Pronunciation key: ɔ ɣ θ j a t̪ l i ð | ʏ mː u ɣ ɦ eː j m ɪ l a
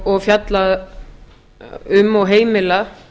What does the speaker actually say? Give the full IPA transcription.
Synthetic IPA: ɔ ɣ f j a t̪ l a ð | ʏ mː ɔ ɣ ɦ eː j m ɪ l a